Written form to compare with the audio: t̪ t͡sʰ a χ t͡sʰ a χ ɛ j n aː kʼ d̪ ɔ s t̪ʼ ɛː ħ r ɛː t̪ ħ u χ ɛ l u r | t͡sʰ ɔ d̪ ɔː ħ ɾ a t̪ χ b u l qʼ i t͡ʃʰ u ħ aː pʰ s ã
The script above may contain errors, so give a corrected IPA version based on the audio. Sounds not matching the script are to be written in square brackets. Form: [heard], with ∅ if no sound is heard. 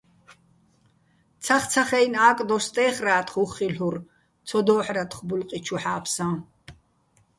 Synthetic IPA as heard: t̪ t͡sʰ a χ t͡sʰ a χ ɛ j n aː kʼ d̪ ɔ s t̪ʼ ɛː [χ] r [aː] t̪ [χ] u χ [i] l u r | t͡sʰ ɔ d̪ ɔː ħ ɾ a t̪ χ b u l qʼ i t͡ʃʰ u ħ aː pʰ s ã